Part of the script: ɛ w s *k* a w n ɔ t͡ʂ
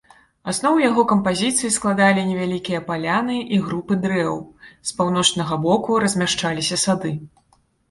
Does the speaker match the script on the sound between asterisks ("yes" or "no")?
no